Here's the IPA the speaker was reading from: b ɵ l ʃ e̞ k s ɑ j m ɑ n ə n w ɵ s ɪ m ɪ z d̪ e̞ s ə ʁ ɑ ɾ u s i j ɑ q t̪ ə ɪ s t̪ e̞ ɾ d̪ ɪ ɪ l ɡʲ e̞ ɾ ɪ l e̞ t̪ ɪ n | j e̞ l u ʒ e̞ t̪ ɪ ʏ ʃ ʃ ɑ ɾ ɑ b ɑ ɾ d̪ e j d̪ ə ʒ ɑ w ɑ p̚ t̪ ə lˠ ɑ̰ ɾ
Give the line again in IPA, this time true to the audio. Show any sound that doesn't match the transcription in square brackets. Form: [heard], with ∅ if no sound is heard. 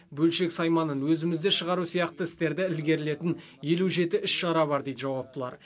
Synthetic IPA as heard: b ɵ l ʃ e̞ k s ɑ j m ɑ n ə n w ɵ [z] ɪ m ɪ z d̪ e̞ [ʃ] ə ʁ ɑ ɾ u s i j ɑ q t̪ ə ɪ s t̪ e̞ ɾ d̪ ɪ ɪ l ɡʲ e̞ ɾ ɪ l e̞ t̪ ɪ n | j e̞ l u ʒ e̞ t̪ ɪ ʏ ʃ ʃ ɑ ɾ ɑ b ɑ ɾ d̪ e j d̪ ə ʒ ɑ w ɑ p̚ t̪ ə lˠ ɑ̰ ɾ